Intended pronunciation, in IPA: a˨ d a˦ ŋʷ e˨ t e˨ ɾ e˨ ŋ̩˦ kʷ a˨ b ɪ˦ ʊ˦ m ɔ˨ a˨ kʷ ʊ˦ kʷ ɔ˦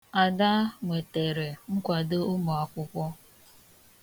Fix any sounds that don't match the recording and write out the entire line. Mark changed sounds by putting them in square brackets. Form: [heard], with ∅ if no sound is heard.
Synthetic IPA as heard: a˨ d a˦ ŋʷ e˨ t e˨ ɾ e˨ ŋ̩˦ kʷ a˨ [d] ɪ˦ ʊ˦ m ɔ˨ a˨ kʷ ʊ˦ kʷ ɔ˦

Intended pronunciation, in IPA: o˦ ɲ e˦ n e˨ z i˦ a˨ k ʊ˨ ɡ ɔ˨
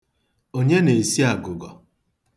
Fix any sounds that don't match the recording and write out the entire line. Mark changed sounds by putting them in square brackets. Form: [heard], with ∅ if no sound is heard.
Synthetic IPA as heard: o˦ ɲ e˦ n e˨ [s] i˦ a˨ [ɡ] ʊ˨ ɡ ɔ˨

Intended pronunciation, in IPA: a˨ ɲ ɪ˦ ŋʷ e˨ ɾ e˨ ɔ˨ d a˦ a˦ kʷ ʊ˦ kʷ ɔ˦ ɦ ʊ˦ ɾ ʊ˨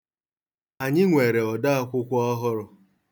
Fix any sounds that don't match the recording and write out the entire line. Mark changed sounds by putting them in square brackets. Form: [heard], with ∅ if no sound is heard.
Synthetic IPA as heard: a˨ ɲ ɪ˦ ŋʷ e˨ ɾ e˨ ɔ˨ d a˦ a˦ kʷ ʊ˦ kʷ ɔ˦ ɦ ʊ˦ ɾ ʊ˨

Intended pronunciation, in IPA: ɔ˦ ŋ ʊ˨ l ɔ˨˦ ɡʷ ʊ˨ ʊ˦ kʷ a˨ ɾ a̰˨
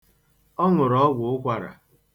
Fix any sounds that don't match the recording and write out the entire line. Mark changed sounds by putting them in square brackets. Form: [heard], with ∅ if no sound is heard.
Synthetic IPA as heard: ɔ˦ ŋ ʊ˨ [ɾ] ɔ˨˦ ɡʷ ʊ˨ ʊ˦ kʷ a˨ ɾ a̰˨

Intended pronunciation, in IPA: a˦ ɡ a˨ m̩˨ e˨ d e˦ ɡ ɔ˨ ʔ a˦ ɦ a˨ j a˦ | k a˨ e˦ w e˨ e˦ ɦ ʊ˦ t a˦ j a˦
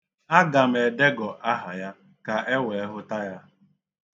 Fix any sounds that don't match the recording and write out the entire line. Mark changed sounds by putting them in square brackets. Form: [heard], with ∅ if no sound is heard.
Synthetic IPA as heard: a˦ ɡ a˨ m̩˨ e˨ d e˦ ɡ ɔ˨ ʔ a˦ ɦ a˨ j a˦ | k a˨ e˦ w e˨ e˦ ɦ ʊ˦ t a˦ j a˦

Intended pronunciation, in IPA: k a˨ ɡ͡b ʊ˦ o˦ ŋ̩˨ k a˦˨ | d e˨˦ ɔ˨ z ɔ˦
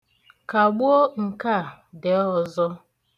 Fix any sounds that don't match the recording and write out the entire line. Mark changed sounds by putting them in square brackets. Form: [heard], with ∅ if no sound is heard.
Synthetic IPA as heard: k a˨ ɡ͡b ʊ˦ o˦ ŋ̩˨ k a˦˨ | d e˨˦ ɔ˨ z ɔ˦

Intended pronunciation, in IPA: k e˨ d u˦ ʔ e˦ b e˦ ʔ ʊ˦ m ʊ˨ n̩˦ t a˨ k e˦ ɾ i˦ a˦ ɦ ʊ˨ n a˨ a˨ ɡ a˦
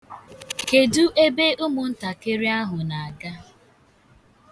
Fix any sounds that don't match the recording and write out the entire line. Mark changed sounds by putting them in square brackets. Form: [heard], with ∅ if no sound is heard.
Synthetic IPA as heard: k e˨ d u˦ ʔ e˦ b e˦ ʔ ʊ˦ m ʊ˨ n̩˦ t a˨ k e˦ ɾ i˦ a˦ ɦ ʊ˨ n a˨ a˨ ɡ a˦

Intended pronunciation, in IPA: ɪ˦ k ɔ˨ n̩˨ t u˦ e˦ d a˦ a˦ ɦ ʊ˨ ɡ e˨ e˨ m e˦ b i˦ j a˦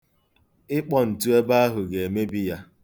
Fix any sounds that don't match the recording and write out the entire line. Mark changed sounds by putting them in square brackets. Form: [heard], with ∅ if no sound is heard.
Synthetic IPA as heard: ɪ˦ [k͡p] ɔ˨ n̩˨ t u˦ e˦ [b] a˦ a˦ ɦ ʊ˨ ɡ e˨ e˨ m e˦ b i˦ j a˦

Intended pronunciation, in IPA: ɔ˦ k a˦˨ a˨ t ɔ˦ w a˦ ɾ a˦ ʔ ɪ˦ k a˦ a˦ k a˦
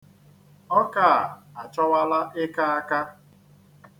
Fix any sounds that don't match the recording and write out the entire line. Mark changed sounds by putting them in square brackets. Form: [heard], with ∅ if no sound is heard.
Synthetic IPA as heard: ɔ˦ k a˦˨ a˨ [t͡ʃ] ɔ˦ w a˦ [l] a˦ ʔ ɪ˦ k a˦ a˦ k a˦

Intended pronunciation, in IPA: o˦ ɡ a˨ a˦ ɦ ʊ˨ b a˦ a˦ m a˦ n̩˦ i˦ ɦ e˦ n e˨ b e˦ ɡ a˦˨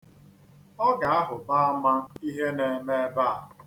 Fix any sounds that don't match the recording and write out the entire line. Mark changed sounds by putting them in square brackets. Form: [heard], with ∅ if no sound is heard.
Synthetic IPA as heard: [ɔ˦] ɡ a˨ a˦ ɦ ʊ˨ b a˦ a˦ m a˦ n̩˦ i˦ ɦ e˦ n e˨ [m] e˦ [b] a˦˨

